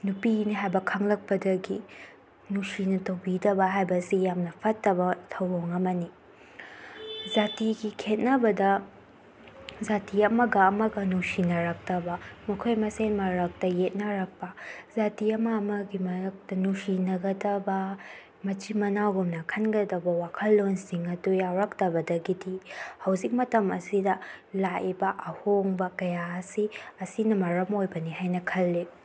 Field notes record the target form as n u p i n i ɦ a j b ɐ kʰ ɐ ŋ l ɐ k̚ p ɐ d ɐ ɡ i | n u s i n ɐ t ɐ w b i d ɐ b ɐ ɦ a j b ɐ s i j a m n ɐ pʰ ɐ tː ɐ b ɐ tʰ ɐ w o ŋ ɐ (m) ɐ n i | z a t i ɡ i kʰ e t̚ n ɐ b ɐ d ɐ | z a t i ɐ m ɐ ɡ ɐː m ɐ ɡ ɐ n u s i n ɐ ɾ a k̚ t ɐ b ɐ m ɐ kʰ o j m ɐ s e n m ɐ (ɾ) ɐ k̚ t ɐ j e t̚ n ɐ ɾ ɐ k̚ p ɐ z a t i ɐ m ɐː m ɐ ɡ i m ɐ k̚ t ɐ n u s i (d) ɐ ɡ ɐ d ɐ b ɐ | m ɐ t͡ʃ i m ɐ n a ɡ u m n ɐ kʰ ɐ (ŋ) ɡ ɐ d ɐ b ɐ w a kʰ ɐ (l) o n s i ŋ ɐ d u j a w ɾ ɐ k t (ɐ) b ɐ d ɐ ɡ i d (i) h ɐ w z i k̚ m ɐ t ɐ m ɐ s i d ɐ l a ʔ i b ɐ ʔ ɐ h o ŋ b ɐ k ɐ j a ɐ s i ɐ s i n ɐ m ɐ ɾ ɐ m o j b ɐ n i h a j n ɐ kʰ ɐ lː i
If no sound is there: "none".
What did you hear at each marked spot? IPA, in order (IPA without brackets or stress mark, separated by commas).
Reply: m, ɾ, n, n, lː, ɐ, i